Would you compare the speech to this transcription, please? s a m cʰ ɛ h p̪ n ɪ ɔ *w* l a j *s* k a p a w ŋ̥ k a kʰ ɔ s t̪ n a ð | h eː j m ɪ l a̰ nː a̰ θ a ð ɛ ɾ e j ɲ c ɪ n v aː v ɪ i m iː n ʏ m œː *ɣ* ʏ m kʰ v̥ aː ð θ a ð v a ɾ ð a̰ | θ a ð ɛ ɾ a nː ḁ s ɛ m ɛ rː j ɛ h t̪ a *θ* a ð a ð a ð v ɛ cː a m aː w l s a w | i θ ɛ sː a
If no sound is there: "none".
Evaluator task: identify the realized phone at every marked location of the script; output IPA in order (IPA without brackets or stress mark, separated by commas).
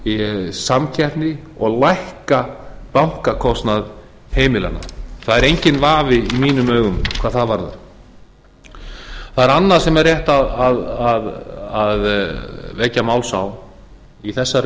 ɣ, h, ɣ, ð